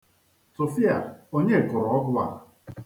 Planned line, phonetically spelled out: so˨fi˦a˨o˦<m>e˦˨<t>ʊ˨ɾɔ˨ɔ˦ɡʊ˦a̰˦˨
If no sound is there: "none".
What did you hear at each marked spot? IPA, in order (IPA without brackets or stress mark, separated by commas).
ɲ, k